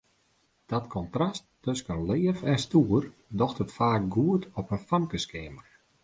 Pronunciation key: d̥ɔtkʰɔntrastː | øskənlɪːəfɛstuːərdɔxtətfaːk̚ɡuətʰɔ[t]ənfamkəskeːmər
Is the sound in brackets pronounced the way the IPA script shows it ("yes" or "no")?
no